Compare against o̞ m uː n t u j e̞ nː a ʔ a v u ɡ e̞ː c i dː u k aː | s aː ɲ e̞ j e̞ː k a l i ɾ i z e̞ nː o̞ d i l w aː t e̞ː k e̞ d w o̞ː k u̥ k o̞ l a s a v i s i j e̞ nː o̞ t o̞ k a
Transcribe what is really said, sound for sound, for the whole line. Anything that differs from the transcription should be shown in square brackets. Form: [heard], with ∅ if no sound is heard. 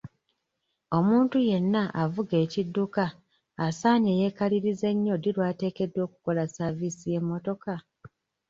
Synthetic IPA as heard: o̞ m uː n t u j e̞ nː a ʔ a v u ɡ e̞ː c i dː u k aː | s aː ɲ e̞ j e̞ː k a l i ɾ i z e̞ [ɲː] o̞ d i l w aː t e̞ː k e̞ d w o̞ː k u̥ k o̞ l a s a v i s i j e̞ [mː] o̞ t o̞ k a